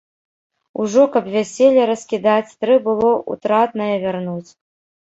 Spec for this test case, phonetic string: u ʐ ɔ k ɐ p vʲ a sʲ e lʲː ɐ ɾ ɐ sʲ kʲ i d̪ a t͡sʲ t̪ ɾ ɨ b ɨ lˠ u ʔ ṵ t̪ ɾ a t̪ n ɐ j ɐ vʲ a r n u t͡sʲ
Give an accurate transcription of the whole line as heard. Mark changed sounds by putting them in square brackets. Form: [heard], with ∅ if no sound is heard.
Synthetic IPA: u ʐ ɔ k ɐ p vʲ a sʲ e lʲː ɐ ɾ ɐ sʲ kʲ i d̪ a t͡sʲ t̪ ɾ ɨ b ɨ lˠ [ɔ] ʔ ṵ t̪ ɾ a t̪ n ɐ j ɐ vʲ a r n u t͡sʲ